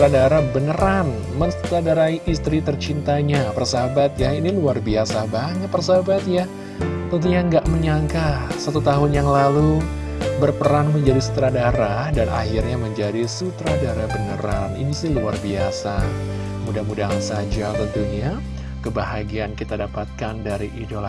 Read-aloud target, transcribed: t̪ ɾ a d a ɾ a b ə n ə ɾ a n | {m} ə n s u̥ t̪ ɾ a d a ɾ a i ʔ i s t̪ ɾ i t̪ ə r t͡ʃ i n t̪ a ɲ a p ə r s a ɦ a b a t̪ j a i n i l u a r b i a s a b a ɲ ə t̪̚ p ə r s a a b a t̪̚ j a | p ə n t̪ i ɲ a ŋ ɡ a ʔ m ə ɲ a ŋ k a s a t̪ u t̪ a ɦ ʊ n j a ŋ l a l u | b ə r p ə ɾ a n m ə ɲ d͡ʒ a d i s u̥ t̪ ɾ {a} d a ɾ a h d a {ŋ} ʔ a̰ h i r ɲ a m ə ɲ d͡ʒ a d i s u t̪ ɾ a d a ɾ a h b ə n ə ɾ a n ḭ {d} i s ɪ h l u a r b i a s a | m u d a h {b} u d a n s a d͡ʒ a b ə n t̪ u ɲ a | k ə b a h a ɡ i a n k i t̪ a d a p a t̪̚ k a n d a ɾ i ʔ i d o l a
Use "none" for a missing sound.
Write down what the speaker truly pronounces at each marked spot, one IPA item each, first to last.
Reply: m, a, n, n, m

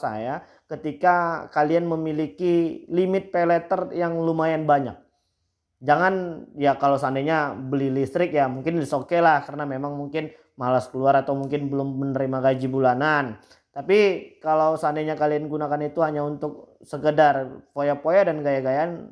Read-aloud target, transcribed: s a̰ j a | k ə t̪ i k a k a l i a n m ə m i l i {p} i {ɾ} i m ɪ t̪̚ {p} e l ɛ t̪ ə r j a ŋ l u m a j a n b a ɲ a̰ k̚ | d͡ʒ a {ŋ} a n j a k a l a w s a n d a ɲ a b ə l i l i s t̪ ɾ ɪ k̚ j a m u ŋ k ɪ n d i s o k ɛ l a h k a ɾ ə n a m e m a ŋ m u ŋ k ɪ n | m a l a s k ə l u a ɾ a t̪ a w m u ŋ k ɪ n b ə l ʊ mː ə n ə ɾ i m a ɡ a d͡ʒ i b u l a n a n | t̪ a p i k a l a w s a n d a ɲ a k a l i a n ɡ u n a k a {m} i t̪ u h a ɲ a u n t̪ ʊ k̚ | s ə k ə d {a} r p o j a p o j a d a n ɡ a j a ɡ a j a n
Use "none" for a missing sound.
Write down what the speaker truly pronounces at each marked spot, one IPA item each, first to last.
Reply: k, l, p, ŋ, n, a

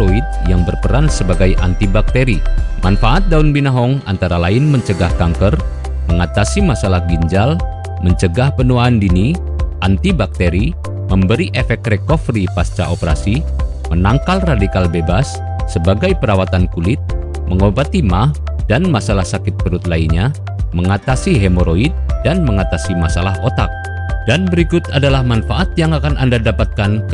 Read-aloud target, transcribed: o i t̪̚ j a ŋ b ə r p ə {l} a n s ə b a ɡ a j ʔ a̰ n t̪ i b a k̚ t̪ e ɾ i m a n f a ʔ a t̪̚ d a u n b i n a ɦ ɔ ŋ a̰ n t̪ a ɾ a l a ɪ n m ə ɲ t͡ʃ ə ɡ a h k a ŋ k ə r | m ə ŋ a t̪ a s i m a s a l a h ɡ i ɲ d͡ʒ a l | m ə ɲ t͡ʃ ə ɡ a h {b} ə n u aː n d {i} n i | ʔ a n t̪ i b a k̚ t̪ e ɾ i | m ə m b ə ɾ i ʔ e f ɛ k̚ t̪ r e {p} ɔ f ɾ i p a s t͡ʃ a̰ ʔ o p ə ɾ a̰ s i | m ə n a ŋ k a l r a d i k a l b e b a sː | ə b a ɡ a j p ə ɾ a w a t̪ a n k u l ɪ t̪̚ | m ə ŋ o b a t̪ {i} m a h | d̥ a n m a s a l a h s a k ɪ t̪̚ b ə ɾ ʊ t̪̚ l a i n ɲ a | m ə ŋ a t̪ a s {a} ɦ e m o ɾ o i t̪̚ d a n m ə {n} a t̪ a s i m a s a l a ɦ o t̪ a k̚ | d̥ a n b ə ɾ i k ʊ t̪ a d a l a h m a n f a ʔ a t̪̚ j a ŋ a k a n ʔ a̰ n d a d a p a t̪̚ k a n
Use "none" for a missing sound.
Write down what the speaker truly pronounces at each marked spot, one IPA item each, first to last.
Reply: ɾ, p, i, k, i, i, ŋ

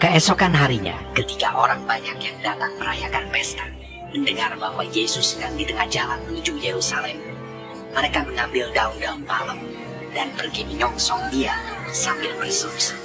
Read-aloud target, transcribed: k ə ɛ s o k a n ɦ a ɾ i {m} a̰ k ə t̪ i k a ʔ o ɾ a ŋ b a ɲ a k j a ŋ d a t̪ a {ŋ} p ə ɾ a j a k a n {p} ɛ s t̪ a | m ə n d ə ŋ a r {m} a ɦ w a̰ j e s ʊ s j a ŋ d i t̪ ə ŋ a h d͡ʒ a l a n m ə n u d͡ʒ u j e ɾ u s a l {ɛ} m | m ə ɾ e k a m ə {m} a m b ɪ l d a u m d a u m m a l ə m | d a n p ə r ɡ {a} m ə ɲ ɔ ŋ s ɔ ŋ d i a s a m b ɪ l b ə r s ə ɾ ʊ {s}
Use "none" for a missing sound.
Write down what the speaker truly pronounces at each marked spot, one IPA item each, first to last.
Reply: ɲ, ŋ, p, b, ɛ, ŋ, i, s

